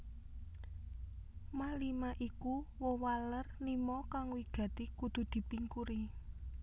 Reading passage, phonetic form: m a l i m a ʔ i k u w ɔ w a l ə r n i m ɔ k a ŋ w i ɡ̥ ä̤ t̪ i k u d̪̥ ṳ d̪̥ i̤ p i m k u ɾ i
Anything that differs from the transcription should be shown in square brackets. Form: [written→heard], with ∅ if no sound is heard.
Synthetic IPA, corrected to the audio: m a l i m a ʔ i k u w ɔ w a l ə r n i m ɔ k a ŋ w i ɡ̥ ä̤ t̪ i k u d̪̥ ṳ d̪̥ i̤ p i [m→ŋ] k u ɾ i

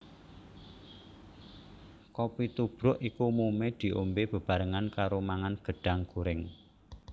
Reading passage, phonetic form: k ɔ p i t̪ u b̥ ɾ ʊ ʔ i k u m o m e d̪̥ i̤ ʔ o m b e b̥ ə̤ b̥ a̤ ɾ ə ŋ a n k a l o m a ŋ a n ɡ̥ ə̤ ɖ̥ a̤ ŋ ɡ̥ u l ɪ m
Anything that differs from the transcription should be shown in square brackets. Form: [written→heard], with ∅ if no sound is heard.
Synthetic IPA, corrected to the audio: k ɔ p i t̪ u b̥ ɾ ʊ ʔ i k u m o m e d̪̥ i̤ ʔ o m b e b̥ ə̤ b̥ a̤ ɾ ə ŋ a n k a [l→ɾ] o m a ŋ a n ɡ̥ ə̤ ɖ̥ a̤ ŋ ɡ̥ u [l→ɾ] ɪ [m→ŋ]

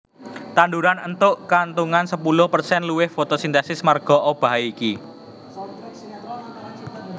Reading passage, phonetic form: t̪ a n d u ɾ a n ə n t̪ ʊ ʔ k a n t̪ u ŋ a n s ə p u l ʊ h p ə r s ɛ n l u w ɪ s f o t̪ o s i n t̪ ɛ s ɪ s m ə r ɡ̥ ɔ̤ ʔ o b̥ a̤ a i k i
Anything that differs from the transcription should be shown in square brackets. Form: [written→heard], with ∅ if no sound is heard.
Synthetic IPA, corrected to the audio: t̪ a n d u ɾ a n ə n t̪ ʊ ʔ k a n t̪ u ŋ a n s ə p u l ʊ h p ə r s ɛ n l u w ɪ [s→h] f o t̪ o s i n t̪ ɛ s ɪ s m [ə→a] r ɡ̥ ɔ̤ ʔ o b̥ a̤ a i k i

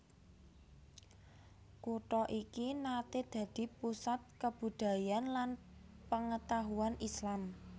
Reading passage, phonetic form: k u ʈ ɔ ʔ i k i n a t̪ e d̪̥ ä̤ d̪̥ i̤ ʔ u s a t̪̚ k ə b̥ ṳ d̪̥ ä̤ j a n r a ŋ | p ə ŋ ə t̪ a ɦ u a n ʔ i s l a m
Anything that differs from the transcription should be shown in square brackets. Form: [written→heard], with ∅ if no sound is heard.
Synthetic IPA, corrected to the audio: k u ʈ ɔ ʔ i k i n a t̪ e d̪̥ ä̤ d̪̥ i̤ [ʔ→p] u s a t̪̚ k ə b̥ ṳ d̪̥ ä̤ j a n [r→l] a [ŋ→n] | p ə ŋ ə t̪ a ɦ u a n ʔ i s l a m

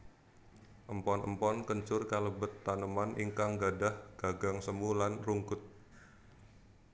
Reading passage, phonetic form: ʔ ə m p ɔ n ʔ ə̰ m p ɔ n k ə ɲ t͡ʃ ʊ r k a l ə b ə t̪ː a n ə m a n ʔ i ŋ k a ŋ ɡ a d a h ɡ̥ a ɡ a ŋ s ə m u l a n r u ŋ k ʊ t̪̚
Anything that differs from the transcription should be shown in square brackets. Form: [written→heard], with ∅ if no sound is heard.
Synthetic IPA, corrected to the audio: ʔ ə m p ɔ n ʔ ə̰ m p ɔ n k ə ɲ t͡ʃ ʊ r k a l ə b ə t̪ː a n ə m a n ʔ i ŋ k a ŋ ɡ a d a h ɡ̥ a ɡ a ŋ s ə m u l a n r u ŋ k ʊ t̪̚

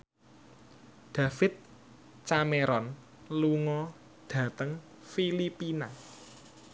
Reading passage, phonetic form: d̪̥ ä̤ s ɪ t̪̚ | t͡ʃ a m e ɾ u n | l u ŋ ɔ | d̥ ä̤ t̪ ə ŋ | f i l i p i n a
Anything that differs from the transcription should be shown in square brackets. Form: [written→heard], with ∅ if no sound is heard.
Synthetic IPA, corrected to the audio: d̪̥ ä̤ [s→f] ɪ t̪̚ | t͡ʃ a m e ɾ [u→ɔ] n | l u ŋ ɔ | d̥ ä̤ t̪ ə ŋ | f i l i p i n a

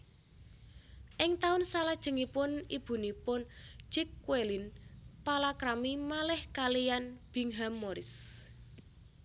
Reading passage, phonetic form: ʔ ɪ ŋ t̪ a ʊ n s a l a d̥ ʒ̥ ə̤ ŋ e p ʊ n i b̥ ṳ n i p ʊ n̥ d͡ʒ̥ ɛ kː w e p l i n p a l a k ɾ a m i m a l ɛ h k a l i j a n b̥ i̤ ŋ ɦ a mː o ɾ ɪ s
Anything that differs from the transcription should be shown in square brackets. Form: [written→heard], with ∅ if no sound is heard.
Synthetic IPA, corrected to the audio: ʔ ɪ ŋ t̪ a ʊ n s a l a d̥ ʒ̥ ə̤ ŋ [e→i] p ʊ n i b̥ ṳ n i p ʊ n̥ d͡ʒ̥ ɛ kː w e [p→∅] l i n p a l a k ɾ a m i m a l ɛ h k a l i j a n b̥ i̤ ŋ ɦ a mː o ɾ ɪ s

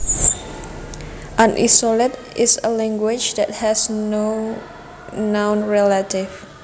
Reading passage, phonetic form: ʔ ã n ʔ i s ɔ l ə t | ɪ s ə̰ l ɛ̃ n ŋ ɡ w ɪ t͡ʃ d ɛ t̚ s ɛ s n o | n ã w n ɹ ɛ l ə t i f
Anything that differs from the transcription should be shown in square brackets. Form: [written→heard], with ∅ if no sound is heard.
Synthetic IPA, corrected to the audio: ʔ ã n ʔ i s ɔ l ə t | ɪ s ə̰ l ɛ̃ [n→∅] ŋ ɡ w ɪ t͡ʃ d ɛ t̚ [s→h] ɛ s n o | n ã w n ɹ ɛ l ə t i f

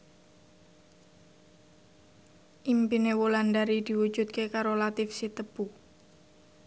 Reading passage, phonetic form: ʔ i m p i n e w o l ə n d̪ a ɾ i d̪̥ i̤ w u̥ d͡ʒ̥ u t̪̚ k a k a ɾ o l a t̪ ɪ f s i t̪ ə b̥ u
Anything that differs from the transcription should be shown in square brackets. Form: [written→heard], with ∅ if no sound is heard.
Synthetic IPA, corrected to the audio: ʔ i m p i n e w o l [ə→a] n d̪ a ɾ i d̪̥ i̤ w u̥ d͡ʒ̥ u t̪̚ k [a→e] k a ɾ o l a t̪ ɪ f s i t̪ ə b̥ u

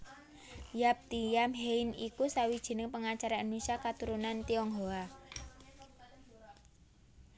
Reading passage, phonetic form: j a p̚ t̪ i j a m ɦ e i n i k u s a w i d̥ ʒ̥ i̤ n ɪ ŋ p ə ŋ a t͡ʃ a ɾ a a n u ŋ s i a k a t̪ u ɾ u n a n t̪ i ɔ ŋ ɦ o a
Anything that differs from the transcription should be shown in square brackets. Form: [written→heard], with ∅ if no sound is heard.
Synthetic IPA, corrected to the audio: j a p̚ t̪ i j a m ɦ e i n i k u s a w i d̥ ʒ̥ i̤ n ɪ ŋ p ə ŋ a t͡ʃ a ɾ a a n u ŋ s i a k a t̪ u ɾ u n a n t̪ i ɔ ŋ ɦ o a

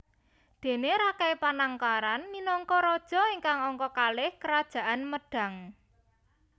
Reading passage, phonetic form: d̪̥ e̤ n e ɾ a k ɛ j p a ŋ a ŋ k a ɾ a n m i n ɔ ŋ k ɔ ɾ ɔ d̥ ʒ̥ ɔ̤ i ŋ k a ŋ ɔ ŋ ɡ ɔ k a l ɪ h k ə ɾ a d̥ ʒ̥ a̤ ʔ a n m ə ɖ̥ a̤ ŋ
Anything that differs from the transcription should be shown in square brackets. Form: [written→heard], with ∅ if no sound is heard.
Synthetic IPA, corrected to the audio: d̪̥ e̤ n e ɾ a k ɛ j p a [ŋ→n] a ŋ k a ɾ a n m i n ɔ ŋ k ɔ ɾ ɔ d̥ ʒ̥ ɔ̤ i ŋ k a ŋ ɔ ŋ [ɡ→k] ɔ k a l ɪ h k ə ɾ a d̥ ʒ̥ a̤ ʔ a n m ə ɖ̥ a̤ ŋ

